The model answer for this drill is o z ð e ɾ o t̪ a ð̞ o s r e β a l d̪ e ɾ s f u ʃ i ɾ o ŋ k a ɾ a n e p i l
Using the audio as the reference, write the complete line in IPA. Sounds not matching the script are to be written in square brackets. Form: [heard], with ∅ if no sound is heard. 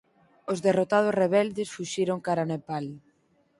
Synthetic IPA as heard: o z ð e [r] o t̪ a ð̞ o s r e β [ɛ] l d̪ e [∅] s f u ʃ i ɾ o ŋ k a ɾ a n e p [a] l